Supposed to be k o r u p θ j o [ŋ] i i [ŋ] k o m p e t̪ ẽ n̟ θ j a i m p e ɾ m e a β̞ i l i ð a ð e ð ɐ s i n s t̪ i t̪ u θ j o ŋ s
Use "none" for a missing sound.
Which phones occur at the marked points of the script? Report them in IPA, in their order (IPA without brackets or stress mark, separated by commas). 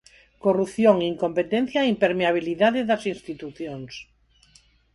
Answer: ŋ, ŋ